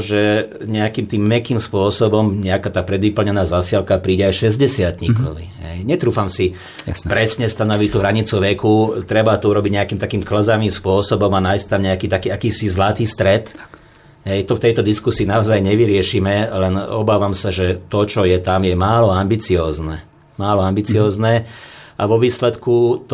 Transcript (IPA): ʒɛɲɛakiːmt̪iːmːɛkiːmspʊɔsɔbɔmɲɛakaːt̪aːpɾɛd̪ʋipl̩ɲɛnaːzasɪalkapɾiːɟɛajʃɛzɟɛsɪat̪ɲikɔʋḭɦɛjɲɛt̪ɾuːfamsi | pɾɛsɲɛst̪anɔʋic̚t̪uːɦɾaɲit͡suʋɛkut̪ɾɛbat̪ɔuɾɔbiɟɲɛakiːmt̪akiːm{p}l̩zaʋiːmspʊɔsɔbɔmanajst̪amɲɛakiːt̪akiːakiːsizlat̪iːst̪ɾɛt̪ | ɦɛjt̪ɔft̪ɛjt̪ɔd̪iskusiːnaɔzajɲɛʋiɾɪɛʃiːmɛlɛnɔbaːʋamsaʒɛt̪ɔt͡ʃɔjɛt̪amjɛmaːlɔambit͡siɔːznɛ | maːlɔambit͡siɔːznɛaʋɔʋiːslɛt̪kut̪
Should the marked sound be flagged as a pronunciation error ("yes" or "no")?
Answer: yes